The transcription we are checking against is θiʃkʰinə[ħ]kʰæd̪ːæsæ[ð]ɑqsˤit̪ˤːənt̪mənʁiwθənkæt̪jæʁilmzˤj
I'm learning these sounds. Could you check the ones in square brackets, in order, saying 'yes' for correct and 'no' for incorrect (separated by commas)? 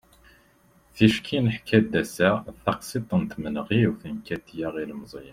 yes, no